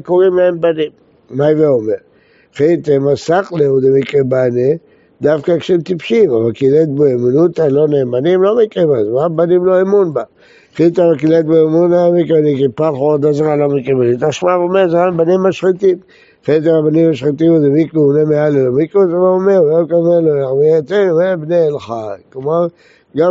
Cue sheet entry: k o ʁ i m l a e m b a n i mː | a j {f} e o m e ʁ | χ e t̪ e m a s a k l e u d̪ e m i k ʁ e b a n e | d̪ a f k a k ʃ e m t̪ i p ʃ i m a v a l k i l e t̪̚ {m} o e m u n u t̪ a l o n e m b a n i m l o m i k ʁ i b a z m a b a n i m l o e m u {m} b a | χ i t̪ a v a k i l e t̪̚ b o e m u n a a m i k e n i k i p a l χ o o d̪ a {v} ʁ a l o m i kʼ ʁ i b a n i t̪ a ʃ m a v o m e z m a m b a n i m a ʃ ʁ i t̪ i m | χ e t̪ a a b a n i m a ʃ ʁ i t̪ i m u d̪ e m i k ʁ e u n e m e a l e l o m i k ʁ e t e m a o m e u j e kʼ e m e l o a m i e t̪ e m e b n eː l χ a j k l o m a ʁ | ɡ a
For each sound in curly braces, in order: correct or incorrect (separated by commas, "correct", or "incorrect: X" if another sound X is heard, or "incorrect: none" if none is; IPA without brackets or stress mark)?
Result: incorrect: v, incorrect: b, incorrect: n, incorrect: z